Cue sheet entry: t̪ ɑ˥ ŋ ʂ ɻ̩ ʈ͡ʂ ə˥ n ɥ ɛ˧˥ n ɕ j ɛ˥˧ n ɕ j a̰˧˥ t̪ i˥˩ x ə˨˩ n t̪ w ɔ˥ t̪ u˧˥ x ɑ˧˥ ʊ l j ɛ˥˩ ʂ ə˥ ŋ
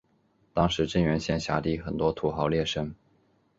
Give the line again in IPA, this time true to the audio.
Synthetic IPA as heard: t̪ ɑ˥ ŋ ʂ ɻ̩ ʈ͡ʂ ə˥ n ɥ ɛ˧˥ n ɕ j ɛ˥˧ n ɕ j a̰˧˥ t̪ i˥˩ x ə˨˩ n t̪ w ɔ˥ t̪ʰ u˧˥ x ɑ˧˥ ʊ l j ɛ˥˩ ʂ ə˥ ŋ